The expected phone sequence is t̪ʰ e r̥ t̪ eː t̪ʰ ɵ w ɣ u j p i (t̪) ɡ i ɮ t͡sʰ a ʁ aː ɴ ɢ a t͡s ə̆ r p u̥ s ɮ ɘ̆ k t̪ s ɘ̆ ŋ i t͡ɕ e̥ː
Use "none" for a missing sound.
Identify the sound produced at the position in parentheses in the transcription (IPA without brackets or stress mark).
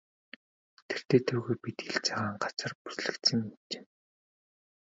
t̪